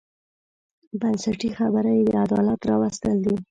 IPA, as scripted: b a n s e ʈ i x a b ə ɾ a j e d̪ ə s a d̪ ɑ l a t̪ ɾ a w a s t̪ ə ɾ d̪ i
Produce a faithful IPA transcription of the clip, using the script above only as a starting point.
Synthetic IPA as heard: b a n s a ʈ i x a b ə ɾ a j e d̪ ə a d̪ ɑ l a t̪ ɾ ɑ w a s t̪ ə l d̪ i

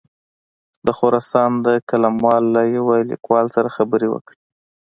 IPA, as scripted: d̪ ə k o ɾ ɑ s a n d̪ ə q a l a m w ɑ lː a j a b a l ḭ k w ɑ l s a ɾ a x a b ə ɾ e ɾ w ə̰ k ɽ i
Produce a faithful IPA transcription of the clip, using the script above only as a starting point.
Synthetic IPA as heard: d̪ ə x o ɾ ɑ s ɑ n d̪ ə k a l a m w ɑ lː a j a w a l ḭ k w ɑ l s a ɾ a x a b ə ɾ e w ə̰ k ɽ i

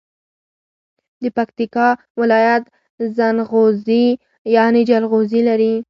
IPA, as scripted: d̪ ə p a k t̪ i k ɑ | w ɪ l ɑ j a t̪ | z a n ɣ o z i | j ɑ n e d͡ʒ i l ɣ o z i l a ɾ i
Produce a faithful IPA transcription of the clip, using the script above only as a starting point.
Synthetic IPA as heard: d̪ ə p a k t̪ i k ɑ | w ɪ l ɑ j a t̪ | z a n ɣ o z i | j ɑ n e d͡ʒ a l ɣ o z i l a ɾ i

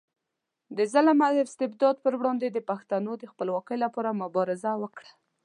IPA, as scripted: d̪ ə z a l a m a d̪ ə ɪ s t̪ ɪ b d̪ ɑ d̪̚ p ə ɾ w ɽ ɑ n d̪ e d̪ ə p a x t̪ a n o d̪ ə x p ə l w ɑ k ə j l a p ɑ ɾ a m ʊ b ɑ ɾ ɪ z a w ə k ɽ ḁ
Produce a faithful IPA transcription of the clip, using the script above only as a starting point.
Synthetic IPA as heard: d̪ ə z a l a m a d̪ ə ɪ s t̪ ɪ b d̪ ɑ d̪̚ p ə ɾ w ɽ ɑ n d̪ e d̪ ə p a x t̪ a n o d̪ ə x p ə l w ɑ k ə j l a p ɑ ɾ a m ʊ b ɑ ɾ ɪ z a w ə k ɽ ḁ

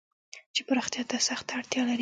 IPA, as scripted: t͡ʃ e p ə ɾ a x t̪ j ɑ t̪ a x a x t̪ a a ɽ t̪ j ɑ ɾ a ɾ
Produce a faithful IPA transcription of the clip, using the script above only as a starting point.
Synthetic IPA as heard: t͡ʃ e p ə ɾ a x t̪ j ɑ t̪ a s a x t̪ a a ɽ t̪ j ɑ l a ɾ

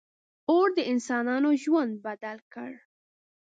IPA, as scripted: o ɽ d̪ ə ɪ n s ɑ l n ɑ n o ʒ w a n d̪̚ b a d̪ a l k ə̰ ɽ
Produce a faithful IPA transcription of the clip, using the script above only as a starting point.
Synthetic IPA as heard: o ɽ d̪ ə ɪ n s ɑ n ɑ n o ʒ w a n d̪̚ b a d̪ a l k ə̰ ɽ

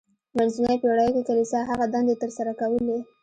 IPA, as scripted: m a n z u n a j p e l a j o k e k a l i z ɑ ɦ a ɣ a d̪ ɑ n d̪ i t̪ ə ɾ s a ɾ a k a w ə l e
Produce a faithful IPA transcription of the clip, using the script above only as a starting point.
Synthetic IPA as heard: m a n z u n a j p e ɽ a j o k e k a l i s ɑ ɦ a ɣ a d̪ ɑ n d̪ e t̪ ə ɾ s a ɾ a k a w ə l e

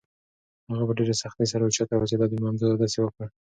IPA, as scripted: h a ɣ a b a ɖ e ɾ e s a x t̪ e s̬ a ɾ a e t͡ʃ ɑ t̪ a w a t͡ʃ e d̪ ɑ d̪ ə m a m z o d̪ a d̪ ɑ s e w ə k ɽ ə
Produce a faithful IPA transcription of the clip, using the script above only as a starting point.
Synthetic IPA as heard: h a ɣ a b a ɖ e ɾ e s a x t̪ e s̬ a ɾ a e t͡ʃ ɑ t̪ a w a t͡ʃ e d̪ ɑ d̪ ə m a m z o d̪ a d̪ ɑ s e w ə k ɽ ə

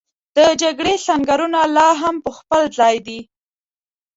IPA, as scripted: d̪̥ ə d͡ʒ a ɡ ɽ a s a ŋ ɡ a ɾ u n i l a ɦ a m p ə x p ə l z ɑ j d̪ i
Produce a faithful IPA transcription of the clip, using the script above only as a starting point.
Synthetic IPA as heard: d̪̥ ə d͡ʒ a ɡ ɽ e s a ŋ ɡ a ɾ u n a l ɑ ɦ a m p ə x p ə l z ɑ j d̪ i

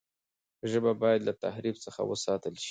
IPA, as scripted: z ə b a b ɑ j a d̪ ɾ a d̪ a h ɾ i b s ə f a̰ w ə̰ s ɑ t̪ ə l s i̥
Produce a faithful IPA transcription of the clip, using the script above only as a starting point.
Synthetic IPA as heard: ʒ ə b a b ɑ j a d̪ l a t̪ a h ɾ i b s ə x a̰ w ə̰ s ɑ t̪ ə l ʃ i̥

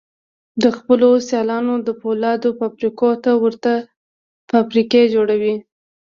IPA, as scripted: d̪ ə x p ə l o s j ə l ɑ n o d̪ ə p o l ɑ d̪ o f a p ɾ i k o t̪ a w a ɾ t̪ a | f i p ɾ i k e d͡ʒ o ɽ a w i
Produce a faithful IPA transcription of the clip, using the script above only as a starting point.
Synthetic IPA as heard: d̪ ə x p ə l o s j ɑ l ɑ n o d̪ ə p o l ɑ d̪ o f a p ɾ i k o t̪ a w ə ɾ t̪ a | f a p ɾ i k e d͡ʒ o ɽ a w i

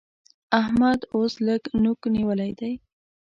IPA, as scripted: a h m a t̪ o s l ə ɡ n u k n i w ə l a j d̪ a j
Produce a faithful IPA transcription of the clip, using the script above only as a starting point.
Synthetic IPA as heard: a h m a d̪ o s l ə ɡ n u k n i w ə l a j d̪ a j

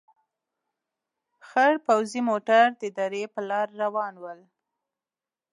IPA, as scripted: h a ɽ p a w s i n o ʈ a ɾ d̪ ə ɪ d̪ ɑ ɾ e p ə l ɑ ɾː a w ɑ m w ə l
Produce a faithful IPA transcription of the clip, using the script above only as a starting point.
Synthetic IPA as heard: x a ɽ p a w z i m o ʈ a ɾ d̪ ə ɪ d̪ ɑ ɾ e p ə l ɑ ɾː a w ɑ n w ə l

